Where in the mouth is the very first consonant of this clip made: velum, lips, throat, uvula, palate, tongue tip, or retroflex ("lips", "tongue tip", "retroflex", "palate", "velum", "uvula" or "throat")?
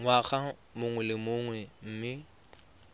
velum